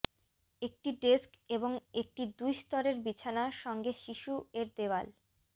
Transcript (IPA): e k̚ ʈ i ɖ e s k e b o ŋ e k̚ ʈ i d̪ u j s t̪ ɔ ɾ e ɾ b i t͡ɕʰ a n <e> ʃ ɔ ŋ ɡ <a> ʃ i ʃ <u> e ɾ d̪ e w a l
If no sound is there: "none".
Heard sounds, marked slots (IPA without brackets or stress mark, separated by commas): a, e, u